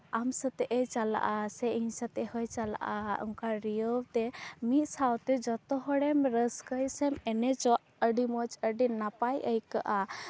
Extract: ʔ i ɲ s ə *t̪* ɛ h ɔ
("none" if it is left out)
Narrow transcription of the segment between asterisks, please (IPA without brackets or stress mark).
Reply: t̪